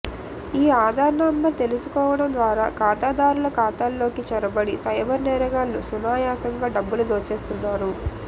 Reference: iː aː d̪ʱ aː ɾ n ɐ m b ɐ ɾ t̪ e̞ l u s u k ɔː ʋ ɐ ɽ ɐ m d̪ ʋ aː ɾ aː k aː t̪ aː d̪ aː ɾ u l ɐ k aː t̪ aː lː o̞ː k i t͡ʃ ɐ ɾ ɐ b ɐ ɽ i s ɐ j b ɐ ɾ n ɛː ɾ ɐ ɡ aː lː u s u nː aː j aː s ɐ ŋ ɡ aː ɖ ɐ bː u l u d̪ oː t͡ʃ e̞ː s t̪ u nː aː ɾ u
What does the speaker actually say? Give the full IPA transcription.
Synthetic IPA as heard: iː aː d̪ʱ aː ɾ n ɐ m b ɐ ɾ t̪ e̞ l u s u k ɔː ʋ ɐ ɽ ɐ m d̪ ʋ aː ɾ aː k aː t̪ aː d̪ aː ɾ u l ɐ k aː t̪ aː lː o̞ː k i t͡ʃ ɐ ɾ ɐ b ɐ ɽ i s ɐ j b ɐ ɾ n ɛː ɾ ɐ ɡ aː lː u s u n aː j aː s ɐ ŋ ɡ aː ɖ ɐ bː u l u d̪ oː t͡ʃ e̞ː s t̪ u nː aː ɾ u